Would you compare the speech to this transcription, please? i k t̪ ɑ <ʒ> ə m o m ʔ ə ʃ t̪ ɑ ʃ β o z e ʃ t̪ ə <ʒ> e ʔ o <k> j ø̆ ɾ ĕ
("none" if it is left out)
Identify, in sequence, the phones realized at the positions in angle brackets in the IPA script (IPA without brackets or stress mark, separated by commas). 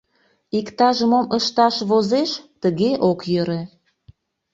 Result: ʒ, ɣ, k